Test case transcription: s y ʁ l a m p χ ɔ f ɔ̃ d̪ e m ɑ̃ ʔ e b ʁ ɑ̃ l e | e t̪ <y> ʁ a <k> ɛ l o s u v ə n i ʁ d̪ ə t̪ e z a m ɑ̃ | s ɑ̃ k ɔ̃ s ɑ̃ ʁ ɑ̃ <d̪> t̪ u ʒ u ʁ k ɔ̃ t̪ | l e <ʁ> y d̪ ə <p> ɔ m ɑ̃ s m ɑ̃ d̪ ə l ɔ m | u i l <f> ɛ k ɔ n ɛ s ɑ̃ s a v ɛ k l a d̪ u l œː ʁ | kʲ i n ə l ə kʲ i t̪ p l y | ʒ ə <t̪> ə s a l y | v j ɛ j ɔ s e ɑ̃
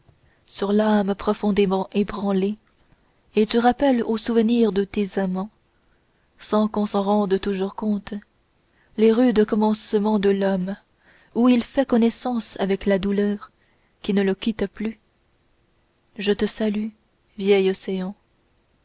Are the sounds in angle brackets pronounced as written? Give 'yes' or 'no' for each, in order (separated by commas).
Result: yes, no, yes, yes, no, yes, yes